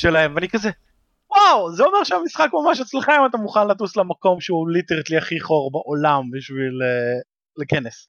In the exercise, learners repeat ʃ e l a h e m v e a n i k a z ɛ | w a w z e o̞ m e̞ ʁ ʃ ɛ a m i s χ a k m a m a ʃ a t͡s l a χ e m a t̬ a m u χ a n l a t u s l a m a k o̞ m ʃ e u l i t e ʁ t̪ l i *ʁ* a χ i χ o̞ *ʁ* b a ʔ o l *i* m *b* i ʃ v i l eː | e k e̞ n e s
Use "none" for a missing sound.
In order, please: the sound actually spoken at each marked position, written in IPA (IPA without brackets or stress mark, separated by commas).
none, ʁ, a, b